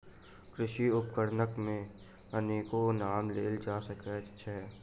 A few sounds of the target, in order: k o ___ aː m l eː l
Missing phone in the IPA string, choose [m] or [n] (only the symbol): n